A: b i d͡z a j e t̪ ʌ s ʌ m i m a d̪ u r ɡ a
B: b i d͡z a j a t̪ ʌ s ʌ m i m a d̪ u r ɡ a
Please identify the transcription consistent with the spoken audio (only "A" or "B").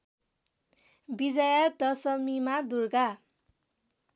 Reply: B